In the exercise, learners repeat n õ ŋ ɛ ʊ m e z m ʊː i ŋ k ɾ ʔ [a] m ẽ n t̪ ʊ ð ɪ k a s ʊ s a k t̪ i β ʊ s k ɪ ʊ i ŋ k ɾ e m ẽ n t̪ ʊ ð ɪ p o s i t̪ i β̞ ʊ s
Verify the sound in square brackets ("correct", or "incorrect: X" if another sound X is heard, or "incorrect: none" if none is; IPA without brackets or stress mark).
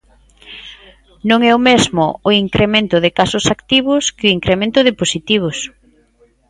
incorrect: e